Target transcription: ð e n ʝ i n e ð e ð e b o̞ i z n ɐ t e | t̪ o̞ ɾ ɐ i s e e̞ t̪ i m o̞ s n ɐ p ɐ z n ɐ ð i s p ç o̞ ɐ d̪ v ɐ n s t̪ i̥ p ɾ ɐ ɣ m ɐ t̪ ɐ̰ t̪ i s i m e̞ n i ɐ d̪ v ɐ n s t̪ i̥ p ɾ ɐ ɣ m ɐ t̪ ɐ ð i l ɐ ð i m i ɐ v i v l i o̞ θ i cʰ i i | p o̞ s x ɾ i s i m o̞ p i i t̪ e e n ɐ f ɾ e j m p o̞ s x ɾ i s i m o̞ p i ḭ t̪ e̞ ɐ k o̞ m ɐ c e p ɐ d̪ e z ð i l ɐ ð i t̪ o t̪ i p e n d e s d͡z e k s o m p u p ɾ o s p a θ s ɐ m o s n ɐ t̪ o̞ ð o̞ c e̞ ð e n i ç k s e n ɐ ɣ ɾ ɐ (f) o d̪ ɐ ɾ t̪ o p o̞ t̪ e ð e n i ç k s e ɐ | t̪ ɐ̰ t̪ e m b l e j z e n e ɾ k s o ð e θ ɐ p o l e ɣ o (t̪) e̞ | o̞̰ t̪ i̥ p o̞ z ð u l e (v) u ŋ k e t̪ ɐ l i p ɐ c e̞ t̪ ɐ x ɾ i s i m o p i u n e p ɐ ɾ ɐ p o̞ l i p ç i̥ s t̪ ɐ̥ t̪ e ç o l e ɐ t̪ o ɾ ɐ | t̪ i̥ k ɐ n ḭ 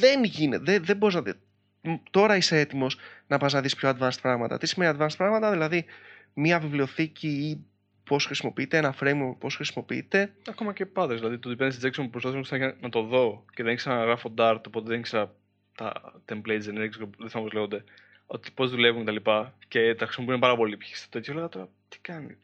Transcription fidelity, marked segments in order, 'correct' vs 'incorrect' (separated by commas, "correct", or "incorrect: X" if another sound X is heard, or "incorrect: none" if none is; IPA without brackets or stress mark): correct, incorrect: d̪, correct